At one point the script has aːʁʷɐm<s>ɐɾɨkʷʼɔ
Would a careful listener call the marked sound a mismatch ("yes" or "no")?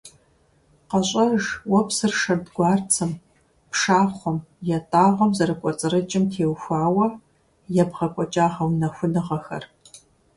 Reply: yes